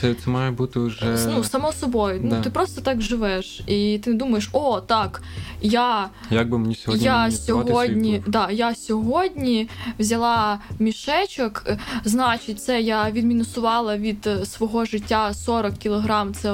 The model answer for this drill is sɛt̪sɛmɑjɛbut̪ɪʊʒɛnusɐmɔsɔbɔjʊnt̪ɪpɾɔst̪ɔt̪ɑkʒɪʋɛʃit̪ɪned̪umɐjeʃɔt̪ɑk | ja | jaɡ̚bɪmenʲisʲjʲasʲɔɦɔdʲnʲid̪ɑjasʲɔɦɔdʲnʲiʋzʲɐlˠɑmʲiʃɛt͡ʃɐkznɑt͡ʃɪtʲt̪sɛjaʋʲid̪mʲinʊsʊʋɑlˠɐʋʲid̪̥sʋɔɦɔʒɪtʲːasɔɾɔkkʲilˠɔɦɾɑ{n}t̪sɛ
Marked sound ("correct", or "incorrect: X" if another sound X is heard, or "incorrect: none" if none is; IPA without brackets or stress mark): incorrect: m